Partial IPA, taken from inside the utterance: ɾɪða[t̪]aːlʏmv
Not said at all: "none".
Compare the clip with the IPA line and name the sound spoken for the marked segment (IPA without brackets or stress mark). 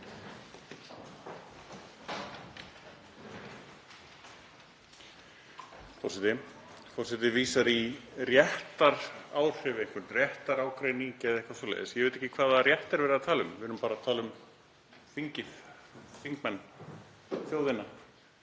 t̪ʰ